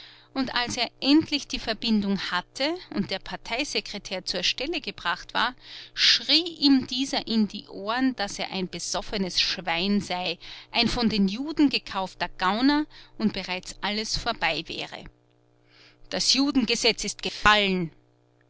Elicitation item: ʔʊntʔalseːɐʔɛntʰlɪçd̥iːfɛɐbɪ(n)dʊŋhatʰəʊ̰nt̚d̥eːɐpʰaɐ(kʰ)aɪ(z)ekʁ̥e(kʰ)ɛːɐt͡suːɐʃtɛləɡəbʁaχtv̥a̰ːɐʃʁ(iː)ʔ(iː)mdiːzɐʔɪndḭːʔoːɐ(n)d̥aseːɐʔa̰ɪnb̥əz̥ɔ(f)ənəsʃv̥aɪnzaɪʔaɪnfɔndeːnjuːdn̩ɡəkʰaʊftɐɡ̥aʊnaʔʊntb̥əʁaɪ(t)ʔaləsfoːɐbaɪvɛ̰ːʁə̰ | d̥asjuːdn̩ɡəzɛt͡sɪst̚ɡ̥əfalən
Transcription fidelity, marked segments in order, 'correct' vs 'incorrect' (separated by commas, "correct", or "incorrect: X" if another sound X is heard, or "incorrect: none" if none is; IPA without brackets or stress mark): correct, incorrect: tʰ, correct, incorrect: tʰ, correct, correct, correct, correct, incorrect: t͡s